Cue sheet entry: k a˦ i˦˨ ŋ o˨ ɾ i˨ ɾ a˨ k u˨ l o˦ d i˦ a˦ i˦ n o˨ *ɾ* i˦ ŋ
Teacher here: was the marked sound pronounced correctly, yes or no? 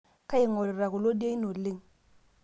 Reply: no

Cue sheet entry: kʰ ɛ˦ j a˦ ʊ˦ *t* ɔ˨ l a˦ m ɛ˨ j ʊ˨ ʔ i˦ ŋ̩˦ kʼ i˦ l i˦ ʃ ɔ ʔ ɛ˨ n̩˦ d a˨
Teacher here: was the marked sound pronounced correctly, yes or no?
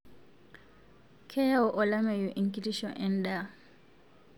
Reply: no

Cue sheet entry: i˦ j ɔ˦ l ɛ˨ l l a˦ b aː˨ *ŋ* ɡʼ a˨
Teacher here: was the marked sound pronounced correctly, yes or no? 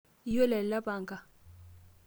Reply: yes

